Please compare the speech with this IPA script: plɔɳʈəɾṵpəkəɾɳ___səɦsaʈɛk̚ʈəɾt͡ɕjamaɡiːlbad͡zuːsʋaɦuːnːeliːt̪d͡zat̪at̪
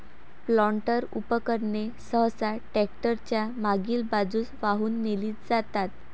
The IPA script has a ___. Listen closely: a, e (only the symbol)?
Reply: e